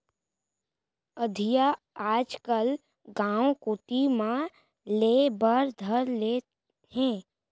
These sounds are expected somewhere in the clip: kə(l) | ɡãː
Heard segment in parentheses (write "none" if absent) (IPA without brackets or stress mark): l